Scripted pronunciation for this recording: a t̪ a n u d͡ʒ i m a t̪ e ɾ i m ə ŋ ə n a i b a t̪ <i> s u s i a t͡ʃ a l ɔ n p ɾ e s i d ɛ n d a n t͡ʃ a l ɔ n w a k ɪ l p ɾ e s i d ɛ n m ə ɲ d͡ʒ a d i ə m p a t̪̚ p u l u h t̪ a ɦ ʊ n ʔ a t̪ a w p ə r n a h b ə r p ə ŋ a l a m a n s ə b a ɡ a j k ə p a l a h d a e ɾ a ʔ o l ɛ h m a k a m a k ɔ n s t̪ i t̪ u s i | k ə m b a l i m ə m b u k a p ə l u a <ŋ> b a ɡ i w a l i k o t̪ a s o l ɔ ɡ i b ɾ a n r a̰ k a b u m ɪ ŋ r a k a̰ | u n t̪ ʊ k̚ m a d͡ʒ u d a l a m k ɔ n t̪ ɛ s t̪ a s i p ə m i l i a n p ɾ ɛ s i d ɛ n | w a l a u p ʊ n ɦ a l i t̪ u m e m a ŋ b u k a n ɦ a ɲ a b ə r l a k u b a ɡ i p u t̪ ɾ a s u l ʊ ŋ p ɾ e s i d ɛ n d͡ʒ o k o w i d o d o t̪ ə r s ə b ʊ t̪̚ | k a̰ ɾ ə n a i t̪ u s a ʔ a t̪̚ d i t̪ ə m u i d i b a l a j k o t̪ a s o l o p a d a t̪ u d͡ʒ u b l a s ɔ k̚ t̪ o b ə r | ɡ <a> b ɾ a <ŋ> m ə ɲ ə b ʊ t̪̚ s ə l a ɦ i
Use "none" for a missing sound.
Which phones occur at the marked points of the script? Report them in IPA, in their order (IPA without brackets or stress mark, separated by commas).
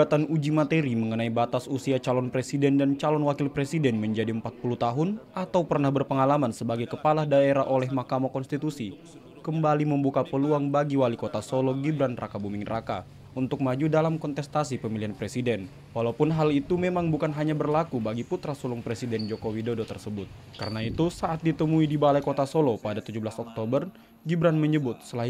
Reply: a, ŋ, i, n